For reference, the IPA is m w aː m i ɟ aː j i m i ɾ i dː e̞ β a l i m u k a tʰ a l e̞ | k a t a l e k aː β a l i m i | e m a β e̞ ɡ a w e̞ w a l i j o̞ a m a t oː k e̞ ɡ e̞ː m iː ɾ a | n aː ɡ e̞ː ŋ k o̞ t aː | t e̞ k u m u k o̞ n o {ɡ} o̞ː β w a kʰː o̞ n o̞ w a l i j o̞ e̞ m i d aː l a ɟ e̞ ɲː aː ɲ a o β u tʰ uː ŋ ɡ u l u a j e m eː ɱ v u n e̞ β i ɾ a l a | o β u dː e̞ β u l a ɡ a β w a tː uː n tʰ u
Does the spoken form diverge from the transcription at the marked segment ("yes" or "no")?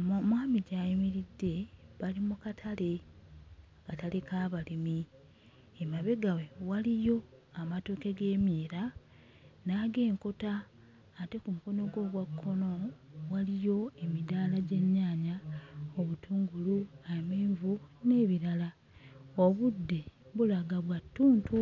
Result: no